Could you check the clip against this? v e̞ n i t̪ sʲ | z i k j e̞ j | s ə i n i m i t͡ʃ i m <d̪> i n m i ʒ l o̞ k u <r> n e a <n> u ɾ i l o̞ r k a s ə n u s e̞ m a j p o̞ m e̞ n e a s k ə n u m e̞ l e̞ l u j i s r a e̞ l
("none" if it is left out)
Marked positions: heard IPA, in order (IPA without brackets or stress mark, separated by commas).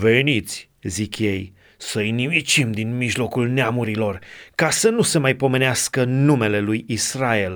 d̪, l, m